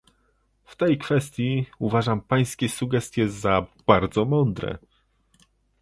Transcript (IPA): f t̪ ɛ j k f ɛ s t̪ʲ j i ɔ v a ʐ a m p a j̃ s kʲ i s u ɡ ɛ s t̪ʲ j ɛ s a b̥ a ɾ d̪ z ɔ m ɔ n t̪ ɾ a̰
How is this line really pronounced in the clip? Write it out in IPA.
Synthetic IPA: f t̪ ɛ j k f ɛ s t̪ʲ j i u v a ʐ a m p a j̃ s kʲ ɛ s u ɡ ɛ s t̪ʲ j ɛ z a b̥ a ɾ d̪ z ɔ m ɔ n d̪ ɾ ɛ̰